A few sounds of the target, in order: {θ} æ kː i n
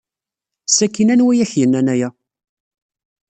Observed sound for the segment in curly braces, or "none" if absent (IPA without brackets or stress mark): s